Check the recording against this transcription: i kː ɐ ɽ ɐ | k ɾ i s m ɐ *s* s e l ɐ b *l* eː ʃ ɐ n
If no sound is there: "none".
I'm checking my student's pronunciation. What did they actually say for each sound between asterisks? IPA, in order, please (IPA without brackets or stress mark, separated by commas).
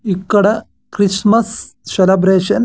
s, ɾ